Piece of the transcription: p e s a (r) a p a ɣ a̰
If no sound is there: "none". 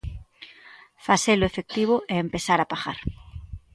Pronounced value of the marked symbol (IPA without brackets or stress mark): ɾ